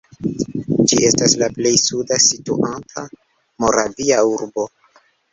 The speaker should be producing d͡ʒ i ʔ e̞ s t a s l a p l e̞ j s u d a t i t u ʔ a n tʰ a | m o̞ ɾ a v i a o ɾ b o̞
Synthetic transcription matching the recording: d͡ʒ i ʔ e̞ s t a s l a p l e̞ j s u d a s i t u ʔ a n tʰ a | m o̞ ɾ a v i a u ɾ b o̞